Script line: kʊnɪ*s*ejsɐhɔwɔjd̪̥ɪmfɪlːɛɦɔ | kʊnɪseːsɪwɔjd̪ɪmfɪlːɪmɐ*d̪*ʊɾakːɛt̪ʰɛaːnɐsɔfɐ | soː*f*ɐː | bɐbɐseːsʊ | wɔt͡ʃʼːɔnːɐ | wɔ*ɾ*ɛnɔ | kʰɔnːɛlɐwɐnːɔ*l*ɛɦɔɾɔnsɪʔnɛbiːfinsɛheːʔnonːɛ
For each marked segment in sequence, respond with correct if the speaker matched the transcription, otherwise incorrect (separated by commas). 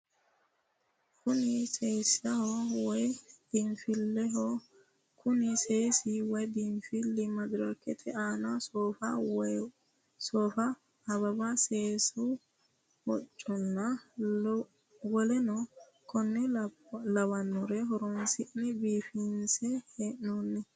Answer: correct, correct, correct, incorrect, incorrect